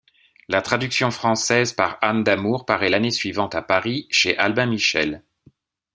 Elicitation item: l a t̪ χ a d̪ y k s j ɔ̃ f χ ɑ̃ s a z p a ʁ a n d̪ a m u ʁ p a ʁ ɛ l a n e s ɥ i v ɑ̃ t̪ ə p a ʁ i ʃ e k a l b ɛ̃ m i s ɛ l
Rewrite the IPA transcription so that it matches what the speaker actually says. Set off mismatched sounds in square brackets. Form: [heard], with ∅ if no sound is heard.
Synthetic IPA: l a t̪ χ a d̪ y k s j ɔ̃ f χ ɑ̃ s [ɛ] z p a ʁ a n d̪ a m u ʁ p a ʁ ɛ l a n e s ɥ i v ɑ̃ t̪ [a] p a ʁ i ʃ e [ʔ] a l b ɛ̃ m i [ʃ] ɛ l